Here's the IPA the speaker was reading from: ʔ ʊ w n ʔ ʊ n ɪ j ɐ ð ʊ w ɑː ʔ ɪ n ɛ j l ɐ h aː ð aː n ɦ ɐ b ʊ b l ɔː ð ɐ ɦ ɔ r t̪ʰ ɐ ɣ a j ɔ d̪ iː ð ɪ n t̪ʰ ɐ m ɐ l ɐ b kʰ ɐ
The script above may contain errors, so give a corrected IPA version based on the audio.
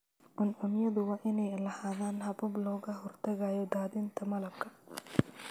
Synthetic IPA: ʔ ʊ n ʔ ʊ n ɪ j ɐ ð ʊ w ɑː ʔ ɪ n ɛ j l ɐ h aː ð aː n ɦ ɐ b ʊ b l ɔː ɣ ɐ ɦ ɔ r t̪ʰ ɐ ɣ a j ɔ d̪ aː ð ɪ n t̪ʰ ɐ m ɐ l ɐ b kʰ ɐ

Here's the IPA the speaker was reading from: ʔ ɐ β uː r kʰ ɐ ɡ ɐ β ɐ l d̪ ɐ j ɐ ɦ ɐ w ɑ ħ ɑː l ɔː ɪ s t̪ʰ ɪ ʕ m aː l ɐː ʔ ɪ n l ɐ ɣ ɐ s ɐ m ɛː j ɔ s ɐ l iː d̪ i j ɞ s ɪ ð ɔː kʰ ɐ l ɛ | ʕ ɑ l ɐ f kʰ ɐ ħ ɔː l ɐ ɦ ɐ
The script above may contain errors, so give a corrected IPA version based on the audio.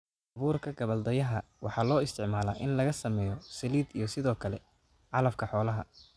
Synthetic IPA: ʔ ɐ β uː r kʰ ɐ ɡ ɐ β ɐ l d̪ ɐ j ɐ ɦ ɐ w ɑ ħ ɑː l ɔː ɪ s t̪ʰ ɪ ʕ m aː l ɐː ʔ ɪ n l ɐ ɣ ɐ s ɐ m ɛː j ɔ s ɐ l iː d̪ i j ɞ s ɪ ð ɔː kʰ ɐ l ɛ | ʕ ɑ l ɐ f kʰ ɐ ħ ɔː l ɐ ɦ ɐ

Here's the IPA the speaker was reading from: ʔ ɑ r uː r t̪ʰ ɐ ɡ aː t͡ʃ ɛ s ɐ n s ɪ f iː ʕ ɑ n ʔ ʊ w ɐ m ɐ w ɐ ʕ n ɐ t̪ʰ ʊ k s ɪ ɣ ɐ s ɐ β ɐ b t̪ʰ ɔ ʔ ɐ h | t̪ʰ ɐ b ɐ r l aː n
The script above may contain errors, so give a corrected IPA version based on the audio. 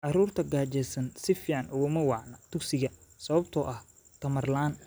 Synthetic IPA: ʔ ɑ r uː r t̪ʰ ɐ ɡ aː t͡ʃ ɛ s ɐ n s ɪ f iː ʕ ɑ n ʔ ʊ ɣ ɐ m ɐ w ɑ ʕ n ɐ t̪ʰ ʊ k s ɪ ɣ ɐ s ɐ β ɐ b t̪ʰ ɔ ʔ ɐ h | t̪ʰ ɐ m ɐ r l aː n

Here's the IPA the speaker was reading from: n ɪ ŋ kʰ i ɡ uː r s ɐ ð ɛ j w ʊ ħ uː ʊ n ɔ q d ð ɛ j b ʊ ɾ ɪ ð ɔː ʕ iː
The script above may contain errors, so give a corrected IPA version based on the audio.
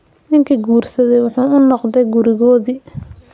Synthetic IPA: n ɪ ŋ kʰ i ɡ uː r s ɐ ð ɛ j w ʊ ħ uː ʊ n ɔ q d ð ɛ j ɡ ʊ ɾ ɪ ɣ ɔː ð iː

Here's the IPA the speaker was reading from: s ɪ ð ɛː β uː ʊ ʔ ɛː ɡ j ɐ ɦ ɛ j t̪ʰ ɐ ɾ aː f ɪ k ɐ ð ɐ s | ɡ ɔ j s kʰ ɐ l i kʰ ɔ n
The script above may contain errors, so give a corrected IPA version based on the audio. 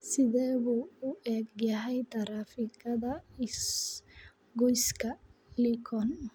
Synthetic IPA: s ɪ ð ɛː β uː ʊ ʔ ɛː ɡ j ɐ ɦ ɛ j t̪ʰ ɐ ɾ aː f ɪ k ɐ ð ɐ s | ɡ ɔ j s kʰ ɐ l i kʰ ɔ n

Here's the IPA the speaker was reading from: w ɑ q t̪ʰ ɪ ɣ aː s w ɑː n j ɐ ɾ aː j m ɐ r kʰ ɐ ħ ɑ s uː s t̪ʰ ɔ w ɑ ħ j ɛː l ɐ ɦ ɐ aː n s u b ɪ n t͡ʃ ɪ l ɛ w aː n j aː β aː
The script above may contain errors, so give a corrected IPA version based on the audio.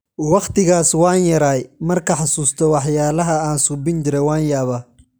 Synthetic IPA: w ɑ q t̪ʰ ɪ ɣ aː s w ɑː n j ɐ ɾ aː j m ɐ r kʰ ɐ ħ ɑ s uː s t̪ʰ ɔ w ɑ ħ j aː l ɐ ɦ ɐ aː n s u b ɪ n t͡ʃ ɪ ɾ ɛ w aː n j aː β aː

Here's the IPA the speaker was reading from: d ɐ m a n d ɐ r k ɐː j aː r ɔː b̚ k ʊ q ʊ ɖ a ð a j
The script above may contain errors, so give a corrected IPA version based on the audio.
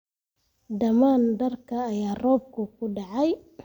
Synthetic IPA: d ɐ m a n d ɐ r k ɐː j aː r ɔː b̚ k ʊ k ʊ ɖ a ʕ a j

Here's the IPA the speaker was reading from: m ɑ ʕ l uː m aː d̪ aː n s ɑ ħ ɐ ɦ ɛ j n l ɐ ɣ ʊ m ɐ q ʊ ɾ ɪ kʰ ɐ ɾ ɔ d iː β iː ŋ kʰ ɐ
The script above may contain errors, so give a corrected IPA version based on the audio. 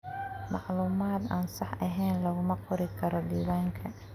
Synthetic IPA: m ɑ ʕ l uː m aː d̪ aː n s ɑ ħ ɐ ɦ ɛ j n l ɐ ɣ ʊ m ɐ q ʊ ɾ ɪ kʰ ɐ ɾ ɔ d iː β aː ŋ kʰ ɐ

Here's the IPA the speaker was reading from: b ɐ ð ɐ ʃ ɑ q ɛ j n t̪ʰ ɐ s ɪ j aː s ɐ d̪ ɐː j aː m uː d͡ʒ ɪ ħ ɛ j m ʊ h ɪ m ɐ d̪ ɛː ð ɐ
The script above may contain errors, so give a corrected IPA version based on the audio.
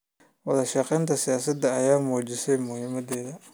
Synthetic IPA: w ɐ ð ɐ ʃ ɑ q ɛ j n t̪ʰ ɐ s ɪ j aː s ɐ d̪ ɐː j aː m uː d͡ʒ ɪ s ɛ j m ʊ h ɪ m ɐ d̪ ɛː ð ɐ

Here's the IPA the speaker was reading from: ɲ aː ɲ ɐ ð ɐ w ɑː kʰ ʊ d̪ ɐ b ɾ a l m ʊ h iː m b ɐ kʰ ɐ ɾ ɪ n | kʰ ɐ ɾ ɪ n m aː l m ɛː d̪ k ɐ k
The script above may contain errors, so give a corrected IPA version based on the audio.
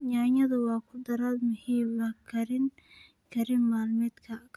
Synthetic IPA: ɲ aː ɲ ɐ ð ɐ w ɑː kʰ ʊ d̪ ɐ ɾ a l m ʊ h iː m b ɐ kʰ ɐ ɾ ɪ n | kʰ ɐ ɾ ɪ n m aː l m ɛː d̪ kʰ ɐ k

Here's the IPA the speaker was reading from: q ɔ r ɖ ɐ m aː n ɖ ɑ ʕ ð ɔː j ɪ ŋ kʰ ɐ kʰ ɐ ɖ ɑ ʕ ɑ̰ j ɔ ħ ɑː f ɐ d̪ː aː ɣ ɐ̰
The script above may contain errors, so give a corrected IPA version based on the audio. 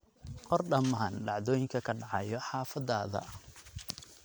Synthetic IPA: q ɔ r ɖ ɐ m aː n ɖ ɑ ʕ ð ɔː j ɪ ŋ kʰ ɐ kʰ ɐ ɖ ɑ ʕ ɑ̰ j ɔ ħ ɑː f ɐ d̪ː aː ð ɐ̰

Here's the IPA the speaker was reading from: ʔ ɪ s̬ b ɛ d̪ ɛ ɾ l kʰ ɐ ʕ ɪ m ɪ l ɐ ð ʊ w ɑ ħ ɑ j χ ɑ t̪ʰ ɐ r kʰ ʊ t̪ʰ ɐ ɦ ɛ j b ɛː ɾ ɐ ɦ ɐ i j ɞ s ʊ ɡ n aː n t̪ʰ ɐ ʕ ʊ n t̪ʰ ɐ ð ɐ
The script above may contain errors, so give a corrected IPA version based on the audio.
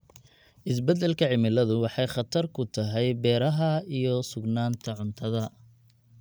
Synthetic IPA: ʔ ɪ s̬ b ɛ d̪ ɛ l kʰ ɐ ʕ ɪ m ɪ l ɐ ð ʊ w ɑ ħ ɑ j χ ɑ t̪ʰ ɐ r kʰ ʊ t̪ʰ ɐ ɦ ɛ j b ɛː ɾ ɐ ɦ ɐ i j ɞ s ʊ ɡ n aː n t̪ʰ ɐ ʕ ʊ n t̪ʰ ɐ ð ɐ

